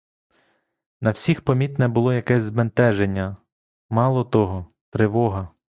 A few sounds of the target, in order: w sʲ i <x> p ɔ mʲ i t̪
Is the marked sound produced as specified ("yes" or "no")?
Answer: yes